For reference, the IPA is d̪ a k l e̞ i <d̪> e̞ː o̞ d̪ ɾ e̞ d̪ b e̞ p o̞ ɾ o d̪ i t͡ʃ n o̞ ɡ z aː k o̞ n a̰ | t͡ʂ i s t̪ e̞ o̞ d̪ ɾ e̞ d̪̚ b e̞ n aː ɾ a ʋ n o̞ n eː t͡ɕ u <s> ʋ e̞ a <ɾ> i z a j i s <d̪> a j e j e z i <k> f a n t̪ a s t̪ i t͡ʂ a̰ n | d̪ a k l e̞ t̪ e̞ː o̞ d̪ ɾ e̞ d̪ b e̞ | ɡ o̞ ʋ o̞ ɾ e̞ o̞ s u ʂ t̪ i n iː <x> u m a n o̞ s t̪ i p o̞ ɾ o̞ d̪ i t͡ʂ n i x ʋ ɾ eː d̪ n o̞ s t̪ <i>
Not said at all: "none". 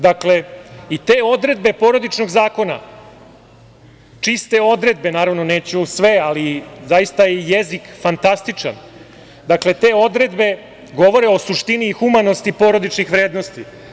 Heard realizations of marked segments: t̪, s, l, t̪, k, x, i

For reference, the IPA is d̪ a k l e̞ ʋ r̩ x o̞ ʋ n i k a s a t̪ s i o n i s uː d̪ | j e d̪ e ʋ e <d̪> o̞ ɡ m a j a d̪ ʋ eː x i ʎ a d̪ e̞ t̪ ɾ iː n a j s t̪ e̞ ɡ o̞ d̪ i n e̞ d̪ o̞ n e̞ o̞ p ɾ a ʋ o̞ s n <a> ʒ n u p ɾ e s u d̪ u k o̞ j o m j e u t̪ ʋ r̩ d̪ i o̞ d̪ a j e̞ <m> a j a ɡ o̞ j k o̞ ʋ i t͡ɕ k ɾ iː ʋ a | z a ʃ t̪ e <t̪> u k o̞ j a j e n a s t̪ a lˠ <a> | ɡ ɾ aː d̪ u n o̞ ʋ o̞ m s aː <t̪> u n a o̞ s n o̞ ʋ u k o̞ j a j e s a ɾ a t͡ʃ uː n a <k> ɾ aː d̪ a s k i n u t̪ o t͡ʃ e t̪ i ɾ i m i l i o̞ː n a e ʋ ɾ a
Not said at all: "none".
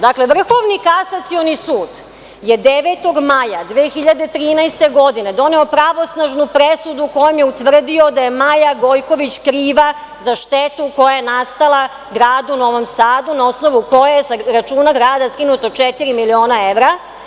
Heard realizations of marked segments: t̪, a, m, t̪, a, d̪, ɡ

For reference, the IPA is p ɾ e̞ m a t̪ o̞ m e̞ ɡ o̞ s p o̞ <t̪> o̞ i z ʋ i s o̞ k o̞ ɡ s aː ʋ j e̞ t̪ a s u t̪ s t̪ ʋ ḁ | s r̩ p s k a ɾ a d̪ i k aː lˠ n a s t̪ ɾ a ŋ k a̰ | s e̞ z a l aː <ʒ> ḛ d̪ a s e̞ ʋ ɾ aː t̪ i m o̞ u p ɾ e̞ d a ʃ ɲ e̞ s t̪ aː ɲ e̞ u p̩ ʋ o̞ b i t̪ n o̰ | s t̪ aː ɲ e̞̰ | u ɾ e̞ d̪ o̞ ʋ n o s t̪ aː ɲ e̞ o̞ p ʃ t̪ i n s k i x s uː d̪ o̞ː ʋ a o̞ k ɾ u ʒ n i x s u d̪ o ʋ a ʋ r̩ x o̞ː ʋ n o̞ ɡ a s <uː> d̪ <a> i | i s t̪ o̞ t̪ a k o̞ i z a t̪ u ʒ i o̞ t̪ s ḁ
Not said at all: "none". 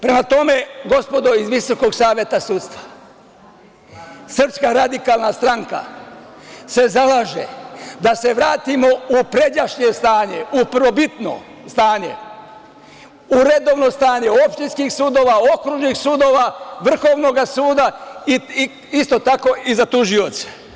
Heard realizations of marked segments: d̪, ʒ, uː, a

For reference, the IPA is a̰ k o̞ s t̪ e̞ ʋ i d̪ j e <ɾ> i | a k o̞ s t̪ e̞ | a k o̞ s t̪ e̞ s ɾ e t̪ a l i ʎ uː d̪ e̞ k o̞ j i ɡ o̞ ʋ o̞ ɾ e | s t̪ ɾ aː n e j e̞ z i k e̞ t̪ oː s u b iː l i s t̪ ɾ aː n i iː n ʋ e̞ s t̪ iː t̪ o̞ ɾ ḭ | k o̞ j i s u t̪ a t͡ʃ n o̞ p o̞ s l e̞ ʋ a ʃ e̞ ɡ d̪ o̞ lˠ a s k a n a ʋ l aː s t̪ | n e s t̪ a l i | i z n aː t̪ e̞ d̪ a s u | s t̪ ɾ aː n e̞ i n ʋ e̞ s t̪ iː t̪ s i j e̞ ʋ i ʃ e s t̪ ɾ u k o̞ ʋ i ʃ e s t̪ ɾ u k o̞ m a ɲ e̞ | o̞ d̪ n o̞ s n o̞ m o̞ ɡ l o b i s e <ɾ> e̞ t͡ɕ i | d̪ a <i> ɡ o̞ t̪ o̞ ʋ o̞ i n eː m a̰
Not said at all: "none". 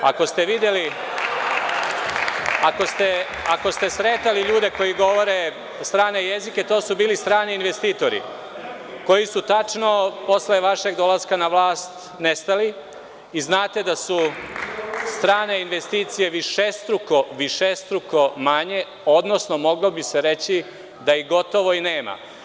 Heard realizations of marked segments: l, ɾ, i

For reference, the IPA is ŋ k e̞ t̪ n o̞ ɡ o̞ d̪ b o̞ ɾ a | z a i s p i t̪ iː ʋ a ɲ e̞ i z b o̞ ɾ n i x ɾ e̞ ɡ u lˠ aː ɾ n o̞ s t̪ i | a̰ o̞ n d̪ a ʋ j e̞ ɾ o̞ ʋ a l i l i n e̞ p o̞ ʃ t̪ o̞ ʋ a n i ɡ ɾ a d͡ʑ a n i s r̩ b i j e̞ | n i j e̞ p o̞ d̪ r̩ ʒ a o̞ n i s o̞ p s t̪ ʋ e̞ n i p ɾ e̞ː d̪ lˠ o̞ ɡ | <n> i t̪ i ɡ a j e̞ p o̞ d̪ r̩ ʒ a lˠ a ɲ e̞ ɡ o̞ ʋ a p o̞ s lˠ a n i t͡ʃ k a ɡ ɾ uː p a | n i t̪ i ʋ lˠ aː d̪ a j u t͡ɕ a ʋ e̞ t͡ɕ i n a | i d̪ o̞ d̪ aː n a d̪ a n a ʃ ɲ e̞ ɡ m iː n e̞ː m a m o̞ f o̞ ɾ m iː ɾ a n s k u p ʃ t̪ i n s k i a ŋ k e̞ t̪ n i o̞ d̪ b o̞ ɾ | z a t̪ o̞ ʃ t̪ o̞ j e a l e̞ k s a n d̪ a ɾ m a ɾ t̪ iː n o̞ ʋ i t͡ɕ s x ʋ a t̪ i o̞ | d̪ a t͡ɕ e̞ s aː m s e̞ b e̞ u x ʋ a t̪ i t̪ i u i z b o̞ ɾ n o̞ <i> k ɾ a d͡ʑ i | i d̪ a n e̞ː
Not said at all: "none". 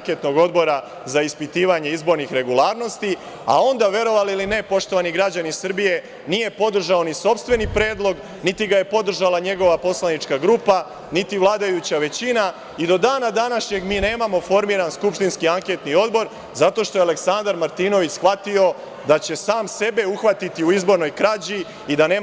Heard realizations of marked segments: n, j

